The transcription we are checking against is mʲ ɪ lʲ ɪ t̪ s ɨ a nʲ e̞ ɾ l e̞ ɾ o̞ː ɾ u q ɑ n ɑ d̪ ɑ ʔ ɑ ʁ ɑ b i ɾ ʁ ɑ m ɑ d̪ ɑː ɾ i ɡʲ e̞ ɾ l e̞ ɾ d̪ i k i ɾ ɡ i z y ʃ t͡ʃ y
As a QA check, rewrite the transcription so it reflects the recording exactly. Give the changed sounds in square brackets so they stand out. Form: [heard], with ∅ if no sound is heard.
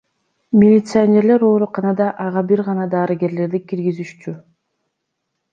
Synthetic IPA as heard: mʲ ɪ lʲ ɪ t̪ s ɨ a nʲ e̞ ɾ l e̞ ɾ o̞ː ɾ u q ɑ n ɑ d̪ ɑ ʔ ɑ ʁ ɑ b i ɾ ʁ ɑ [n] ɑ d̪ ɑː ɾ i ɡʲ e̞ ɾ l e̞ ɾ d̪ i k i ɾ ɡ i z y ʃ t͡ʃ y